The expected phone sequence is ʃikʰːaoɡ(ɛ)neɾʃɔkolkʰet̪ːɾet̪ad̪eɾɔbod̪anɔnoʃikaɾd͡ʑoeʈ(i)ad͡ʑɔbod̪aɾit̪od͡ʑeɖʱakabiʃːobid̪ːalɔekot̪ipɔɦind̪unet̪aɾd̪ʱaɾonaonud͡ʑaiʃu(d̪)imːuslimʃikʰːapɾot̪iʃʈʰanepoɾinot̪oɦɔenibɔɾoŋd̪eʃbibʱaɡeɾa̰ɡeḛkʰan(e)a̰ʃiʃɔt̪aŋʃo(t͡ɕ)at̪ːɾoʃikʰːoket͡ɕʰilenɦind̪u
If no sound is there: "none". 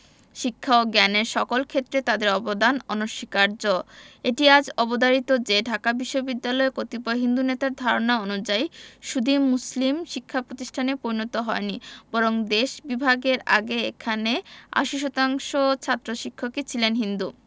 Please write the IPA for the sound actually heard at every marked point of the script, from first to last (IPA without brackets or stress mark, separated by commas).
ɛ, i, d̪, e, t͡ɕʰ